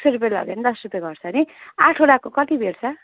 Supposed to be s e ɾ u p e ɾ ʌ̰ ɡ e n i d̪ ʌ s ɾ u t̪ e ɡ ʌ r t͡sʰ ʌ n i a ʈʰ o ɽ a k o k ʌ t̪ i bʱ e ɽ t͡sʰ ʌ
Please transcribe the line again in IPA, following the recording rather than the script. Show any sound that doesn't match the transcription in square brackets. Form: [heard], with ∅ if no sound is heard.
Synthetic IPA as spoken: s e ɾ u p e [l] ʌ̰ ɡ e n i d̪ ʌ s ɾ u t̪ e ɡ ʌ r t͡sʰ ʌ n i a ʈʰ o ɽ a k o k ʌ t̪ i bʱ e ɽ t͡sʰ ʌ